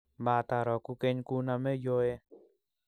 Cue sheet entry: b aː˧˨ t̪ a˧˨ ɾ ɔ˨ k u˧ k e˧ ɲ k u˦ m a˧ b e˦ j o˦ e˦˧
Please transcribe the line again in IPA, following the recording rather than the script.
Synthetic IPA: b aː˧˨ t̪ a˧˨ ɾ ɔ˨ k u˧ k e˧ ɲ k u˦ n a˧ m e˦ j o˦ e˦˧